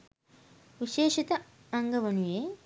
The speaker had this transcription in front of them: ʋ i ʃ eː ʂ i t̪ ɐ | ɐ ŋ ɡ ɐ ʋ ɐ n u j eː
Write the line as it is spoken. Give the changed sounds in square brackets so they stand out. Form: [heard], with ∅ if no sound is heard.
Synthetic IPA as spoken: ʋ i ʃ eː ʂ i t̪ ɐ | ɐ ŋ ɡ ɐ ʋ ɐ n u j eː

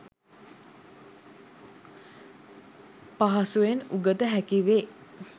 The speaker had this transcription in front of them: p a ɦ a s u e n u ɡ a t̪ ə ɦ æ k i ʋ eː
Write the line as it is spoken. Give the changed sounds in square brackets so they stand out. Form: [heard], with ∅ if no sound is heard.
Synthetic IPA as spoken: p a ɦ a s u e n u ɡ [ə] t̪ ə ɦ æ k i ʋ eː

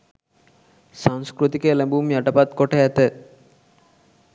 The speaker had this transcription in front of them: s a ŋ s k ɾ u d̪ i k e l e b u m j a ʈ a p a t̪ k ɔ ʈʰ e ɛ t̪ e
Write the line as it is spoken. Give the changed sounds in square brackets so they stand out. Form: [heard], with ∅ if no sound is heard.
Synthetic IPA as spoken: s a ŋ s k ɾ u [t̪] i k e l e b u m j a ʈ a p a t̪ k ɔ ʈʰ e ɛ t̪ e

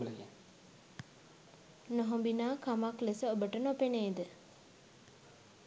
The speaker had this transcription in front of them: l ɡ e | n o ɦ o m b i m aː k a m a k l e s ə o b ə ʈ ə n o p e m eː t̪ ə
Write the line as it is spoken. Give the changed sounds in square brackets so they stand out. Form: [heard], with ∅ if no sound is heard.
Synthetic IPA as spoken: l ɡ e | n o ɦ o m b i [n] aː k a m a k l e s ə o b ə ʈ ə n o p e [n] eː [d̪] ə

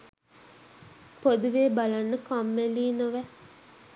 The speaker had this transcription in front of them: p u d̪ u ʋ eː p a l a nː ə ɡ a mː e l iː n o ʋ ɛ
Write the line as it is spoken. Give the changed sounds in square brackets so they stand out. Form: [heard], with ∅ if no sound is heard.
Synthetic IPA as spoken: p [o] d̪ u ʋ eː [b] a l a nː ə [k] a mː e l iː n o ʋ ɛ

